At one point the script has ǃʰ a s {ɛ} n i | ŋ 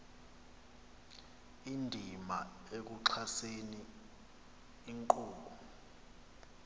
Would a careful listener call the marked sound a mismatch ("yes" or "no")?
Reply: yes